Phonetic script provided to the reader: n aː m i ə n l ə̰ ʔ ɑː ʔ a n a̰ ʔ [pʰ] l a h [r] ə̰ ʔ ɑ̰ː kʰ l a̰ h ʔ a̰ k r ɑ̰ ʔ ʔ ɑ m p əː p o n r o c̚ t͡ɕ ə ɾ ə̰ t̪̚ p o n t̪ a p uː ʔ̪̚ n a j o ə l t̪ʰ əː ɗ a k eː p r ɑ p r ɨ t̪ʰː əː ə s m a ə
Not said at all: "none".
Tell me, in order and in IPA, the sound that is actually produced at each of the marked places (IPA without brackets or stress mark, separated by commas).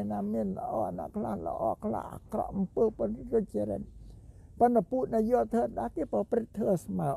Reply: kʰ, l